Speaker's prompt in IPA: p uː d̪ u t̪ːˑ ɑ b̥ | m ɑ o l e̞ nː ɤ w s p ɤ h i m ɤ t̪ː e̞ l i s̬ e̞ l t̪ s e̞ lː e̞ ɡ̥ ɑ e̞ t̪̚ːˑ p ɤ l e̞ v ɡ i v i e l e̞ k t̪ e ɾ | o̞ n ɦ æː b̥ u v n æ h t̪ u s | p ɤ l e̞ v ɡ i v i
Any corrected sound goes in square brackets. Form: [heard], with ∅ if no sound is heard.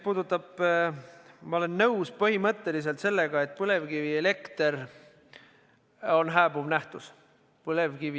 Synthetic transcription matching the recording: p uː d̪ u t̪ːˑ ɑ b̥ | m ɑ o l e̞ nː ɤ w s p ɤ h i m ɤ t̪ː e̞ l i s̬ e̞ l t̪ s e̞ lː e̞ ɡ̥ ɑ e̞ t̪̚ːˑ p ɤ l e̞ v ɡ i v i e l e̞ k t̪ e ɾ | o̞ n ɦ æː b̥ u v n æ h t̪ u s | p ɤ l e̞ v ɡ i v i